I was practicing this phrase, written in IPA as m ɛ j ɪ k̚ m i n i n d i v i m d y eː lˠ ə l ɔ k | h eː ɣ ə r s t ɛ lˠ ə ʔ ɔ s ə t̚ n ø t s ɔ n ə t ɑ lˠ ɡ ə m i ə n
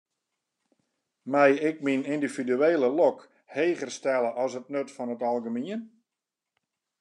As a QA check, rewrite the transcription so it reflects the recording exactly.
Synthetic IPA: m ɛ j ɪ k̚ m i n i n d i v i d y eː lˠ ə l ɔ k | h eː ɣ ə r s t ɛ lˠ ə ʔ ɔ s ə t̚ n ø t f ɔ n ə t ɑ lˠ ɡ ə m i ə n